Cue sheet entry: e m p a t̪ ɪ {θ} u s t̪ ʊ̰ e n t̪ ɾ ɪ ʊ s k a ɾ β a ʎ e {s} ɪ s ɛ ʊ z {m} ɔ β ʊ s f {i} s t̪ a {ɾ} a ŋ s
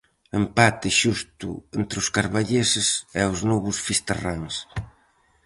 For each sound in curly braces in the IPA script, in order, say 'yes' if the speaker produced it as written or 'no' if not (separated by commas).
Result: no, yes, no, yes, no